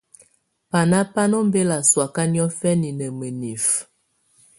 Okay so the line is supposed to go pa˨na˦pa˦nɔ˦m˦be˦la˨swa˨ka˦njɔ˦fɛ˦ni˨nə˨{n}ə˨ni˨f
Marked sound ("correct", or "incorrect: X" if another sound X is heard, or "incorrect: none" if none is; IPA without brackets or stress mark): incorrect: m